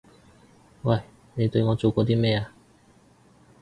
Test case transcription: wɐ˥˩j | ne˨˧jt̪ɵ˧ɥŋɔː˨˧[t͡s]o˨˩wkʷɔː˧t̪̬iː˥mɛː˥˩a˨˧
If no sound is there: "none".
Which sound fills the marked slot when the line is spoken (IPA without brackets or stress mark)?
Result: t͡s